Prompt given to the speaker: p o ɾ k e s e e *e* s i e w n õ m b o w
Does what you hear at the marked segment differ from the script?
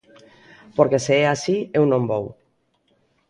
yes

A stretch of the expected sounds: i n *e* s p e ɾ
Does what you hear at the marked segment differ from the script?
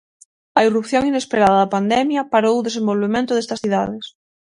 no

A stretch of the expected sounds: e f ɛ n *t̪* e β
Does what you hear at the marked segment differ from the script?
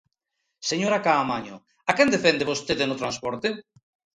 yes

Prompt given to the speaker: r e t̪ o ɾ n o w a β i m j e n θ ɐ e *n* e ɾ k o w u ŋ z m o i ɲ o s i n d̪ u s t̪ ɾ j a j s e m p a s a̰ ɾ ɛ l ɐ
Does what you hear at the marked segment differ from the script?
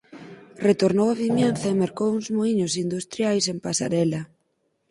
yes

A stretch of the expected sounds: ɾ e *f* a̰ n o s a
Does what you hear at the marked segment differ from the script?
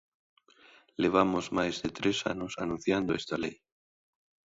yes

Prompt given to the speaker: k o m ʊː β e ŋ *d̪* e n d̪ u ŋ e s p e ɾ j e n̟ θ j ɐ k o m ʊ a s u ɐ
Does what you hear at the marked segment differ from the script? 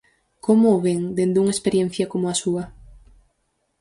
no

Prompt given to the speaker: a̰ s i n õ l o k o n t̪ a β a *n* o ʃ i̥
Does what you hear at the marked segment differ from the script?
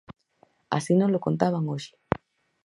yes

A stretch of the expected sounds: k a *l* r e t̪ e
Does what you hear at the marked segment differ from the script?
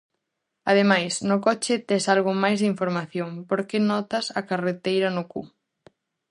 yes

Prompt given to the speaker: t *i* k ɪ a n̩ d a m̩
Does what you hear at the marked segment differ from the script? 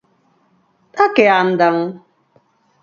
yes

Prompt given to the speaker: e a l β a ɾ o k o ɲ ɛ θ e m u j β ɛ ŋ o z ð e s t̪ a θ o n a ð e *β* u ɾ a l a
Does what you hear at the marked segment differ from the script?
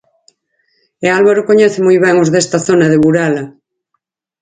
no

